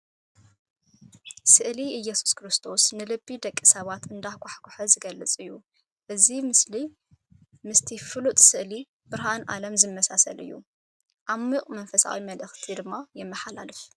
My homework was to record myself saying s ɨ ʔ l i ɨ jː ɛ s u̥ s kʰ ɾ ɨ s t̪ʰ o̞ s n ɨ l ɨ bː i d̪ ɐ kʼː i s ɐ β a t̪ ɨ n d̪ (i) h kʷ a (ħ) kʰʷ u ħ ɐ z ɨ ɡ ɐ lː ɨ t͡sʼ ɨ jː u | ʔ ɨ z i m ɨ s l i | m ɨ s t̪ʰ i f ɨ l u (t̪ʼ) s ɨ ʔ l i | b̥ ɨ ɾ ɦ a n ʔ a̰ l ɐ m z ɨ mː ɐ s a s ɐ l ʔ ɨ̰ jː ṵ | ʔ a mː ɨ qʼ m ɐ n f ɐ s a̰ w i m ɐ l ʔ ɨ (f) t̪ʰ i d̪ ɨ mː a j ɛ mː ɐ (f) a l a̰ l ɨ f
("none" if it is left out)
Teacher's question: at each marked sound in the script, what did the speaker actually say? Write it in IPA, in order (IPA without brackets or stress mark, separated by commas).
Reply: a, ħ, t̪ʼ, x, ħ